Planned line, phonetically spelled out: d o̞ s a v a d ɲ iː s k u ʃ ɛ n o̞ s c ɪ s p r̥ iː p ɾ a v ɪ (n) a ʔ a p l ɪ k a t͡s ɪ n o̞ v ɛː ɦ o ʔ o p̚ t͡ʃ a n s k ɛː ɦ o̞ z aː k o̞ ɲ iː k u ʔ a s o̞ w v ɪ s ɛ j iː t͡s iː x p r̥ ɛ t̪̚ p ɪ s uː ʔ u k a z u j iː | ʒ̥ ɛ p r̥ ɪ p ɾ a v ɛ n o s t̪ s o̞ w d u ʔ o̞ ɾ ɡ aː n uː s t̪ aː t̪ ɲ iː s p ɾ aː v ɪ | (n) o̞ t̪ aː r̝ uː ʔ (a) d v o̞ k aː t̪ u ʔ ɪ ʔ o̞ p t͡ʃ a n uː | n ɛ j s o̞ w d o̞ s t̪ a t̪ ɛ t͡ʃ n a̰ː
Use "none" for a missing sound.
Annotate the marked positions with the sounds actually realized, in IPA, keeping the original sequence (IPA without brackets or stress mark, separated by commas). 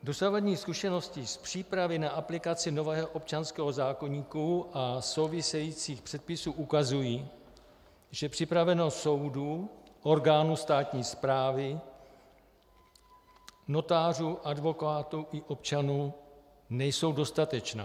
n, n, a